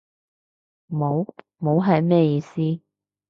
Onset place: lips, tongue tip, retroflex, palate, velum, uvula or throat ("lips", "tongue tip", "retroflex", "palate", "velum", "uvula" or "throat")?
lips